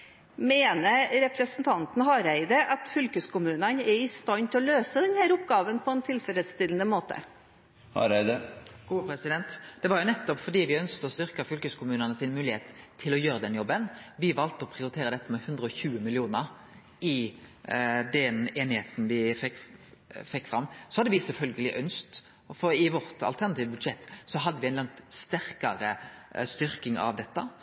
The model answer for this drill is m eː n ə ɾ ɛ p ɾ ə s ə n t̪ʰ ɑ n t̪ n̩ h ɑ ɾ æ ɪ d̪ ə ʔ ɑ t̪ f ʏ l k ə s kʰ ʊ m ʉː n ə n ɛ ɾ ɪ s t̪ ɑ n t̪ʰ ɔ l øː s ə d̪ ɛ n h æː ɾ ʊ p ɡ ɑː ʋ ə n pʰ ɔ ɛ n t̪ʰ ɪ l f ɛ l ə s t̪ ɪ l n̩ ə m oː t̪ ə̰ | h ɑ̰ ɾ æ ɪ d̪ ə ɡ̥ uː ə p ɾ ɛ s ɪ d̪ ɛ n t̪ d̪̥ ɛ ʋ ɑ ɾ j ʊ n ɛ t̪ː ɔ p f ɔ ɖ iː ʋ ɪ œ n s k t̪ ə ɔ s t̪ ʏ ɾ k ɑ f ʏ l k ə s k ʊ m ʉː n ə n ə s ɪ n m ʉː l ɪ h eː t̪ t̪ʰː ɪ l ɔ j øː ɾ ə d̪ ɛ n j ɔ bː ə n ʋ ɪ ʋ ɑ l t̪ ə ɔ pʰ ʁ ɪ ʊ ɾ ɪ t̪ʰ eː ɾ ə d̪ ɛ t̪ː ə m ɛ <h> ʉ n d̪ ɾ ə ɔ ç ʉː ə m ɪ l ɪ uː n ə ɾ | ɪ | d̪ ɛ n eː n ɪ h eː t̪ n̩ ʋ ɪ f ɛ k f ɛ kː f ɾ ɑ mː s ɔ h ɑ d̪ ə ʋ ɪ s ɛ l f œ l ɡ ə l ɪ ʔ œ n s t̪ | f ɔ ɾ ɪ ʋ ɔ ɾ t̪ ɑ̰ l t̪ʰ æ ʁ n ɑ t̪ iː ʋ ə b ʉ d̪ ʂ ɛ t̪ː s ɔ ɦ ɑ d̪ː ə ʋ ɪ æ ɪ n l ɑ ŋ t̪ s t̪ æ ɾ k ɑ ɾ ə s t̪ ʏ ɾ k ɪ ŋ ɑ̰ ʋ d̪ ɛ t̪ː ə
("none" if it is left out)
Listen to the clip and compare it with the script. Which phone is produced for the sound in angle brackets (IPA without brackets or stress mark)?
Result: h